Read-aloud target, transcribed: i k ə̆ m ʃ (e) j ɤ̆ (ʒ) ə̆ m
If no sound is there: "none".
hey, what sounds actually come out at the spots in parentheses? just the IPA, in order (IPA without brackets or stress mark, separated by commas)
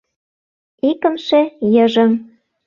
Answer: e, ʒ